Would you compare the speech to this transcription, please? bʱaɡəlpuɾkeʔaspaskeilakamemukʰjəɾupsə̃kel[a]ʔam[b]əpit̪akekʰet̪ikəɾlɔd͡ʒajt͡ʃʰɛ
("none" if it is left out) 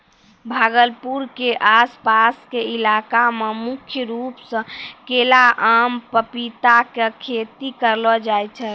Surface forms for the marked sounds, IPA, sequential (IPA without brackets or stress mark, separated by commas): a, p